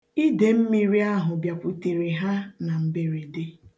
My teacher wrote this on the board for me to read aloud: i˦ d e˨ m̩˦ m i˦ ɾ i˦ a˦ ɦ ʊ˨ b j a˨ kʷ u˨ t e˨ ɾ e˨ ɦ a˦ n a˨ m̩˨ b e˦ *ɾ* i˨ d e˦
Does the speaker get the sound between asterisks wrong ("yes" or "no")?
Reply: no